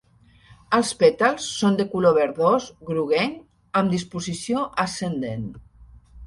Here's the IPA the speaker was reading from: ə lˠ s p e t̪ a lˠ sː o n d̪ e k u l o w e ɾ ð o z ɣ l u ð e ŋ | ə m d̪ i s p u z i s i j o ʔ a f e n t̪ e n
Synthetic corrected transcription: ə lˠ s p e t̪ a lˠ sː o n d̪ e k u l o β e ɾ ð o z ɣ ɾ u ɣ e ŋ | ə m d̪ i s p u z i s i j o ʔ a s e n d̪ e n